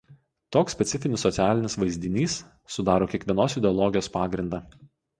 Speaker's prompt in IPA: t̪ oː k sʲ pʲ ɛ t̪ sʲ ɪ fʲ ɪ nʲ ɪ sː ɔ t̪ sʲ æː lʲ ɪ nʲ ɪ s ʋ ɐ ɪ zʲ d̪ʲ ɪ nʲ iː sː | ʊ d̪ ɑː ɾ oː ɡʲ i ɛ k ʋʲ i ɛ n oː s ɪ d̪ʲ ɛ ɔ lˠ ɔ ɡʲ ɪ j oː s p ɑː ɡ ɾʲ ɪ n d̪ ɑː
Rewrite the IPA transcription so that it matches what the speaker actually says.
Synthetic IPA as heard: t̪ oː k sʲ pʲ ɛ t̪ sʲ ɪ fʲ ɪ nʲ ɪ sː ɔ t̪ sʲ æː lʲ ɪ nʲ ɪ s ʋ ɐ ɪ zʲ d̪ʲ ɪ nʲ iː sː | ʊ d̪ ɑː ɾ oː kʲ i ɛ k ʋʲ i ɛ n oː s ɪ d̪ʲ ɛ ɔ lˠ ɔ ɡʲ ɪ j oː s p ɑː ɡ ɾʲ ɪ n d̪ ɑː

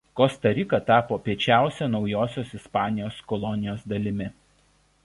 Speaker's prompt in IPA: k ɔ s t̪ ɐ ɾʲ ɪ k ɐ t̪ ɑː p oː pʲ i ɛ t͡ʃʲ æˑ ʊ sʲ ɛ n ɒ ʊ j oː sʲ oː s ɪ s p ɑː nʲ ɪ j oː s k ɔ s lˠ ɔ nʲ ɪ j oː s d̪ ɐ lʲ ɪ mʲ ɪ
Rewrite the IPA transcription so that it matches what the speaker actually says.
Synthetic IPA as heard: k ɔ s t̪ ɐ ɾʲ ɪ k ɐ t̪ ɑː p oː pʲ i ɛ t͡ʃʲ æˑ ʊ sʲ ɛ n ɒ ʊ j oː sʲ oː s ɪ s p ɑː nʲ ɪ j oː s k ɔ lˠ ɔ nʲ ɪ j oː s d̪ ɐ lʲ ɪ mʲ ɪ

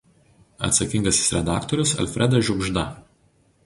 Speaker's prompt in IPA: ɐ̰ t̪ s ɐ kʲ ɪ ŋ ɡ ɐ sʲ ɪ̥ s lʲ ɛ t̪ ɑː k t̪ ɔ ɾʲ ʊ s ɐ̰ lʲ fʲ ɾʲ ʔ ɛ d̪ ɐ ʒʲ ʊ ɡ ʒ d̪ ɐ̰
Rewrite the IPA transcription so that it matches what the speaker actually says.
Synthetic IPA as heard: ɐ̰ t̪ s ɐ kʲ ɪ ŋ ɡ ɐ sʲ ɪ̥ s ɾʲ ɛ d̪ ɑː k t̪ ɔ ɾʲ ʊ s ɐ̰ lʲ fʲ ɾʲ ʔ ɛ d̪ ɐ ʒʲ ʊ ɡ ʒ d̪ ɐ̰

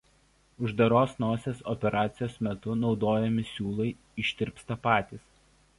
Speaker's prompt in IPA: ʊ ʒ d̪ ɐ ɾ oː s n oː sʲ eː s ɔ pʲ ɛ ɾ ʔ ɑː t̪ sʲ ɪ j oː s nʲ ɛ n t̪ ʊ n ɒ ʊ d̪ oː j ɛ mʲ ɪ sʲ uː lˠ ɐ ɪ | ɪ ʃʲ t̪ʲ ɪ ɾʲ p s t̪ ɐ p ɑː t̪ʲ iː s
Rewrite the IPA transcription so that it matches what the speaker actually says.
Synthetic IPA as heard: ʊ ʒ d̪ ɐ ɾ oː s n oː sʲ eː s ɔ pʲ ɛ ɾ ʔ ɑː t̪ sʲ ɪ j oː s mʲ ɛ t̪ ʊ n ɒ ʊ d̪ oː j ɛ mʲ ɪ sʲ uː lˠ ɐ ɪ | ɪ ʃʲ t̪ʲ ɪ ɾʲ p s t̪ ɐ p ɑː t̪ʲ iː s

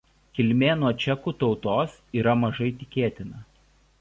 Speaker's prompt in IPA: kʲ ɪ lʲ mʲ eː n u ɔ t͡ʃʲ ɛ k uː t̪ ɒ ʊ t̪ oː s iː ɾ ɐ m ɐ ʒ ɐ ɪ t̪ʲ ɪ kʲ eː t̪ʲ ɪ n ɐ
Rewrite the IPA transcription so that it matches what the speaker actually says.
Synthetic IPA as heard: kʲ ɪ lʲ mʲ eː n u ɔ t͡ʃʲ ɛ k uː t̪ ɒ ʊ t̪ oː s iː ɾ ɐ m ɐ ʒ ɐ ɪ t̪ʲ ɪ kʲ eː t̪ʲ ɪ n ɐ

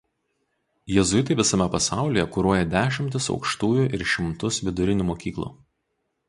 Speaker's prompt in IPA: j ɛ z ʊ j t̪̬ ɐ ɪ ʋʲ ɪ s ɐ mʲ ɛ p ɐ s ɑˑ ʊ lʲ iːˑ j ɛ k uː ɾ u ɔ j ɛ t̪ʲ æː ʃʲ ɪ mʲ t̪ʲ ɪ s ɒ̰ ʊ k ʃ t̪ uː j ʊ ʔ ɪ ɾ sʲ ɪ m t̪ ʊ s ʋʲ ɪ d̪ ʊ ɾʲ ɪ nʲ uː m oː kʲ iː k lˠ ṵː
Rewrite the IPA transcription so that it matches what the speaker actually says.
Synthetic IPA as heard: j ɛ z ʊ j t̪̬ ɐ ɪ ʋʲ ɪ s ɐ mʲ ɛ p ɐ s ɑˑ ʊ lʲ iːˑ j ɛ k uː ɾ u ɔ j ɛ d̪ʲ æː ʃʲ ɪ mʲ t̪ʲ ɪ s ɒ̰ ʊ k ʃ t̪ uː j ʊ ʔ ɪ ɾ ʃʲ ɪ m t̪ ʊ s ʋʲ ɪ d̪ ʊ ɾʲ ɪ nʲ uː m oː kʲ iː k lˠ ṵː

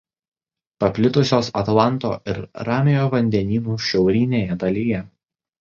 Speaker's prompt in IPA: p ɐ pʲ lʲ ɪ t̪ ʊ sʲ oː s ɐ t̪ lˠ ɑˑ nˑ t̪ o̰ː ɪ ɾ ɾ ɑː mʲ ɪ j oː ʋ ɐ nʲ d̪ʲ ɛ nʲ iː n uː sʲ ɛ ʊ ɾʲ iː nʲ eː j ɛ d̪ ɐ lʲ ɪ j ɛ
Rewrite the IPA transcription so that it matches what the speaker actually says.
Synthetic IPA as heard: p ɐ pʲ lʲ ɪ t̪ ʊ sʲ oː s ɐ t̪ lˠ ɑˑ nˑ t̪ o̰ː ɪ ɾ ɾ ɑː mʲ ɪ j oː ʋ ɐ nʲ d̪ʲ ɛ nʲ iː n uː ʃʲ ɛ ʊ ɾʲ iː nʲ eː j ɛ d̪ ɐ lʲ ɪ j ɛ

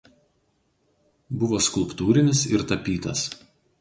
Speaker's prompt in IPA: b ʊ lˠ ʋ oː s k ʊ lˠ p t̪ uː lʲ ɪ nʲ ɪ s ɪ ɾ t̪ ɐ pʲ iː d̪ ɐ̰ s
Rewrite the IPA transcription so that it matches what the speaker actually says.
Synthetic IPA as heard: b ʊ ʋ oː s k ʊ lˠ p t̪ uː ɾʲ ɪ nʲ ɪ s ɪ ɾ t̪ ɐ pʲ iː t̪ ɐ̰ s

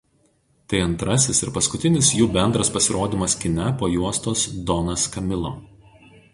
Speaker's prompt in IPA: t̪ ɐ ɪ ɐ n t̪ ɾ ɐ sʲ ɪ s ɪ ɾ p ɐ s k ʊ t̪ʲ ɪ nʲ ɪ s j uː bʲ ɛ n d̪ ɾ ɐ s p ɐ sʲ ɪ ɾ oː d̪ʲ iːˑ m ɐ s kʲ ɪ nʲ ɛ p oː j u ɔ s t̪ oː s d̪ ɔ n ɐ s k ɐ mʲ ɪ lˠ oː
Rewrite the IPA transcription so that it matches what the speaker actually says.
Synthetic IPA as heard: t̪ ɐ ɪ ɐ n t̪ ɾ ɐ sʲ ɪ s ɪ ɾ p ɐ s k ʊ t̪ʲ ɪ nʲ ɪ s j uː bʲ ɛ n d̪ ɾ ɐ s p ɐ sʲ ɪ ɾ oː d̪ʲ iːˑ m ɐ s kʲ ɪ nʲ ɛ p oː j u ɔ s t̪ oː s d̪ ɔ n ɐ s k ɐ mʲ ɪ lˠ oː

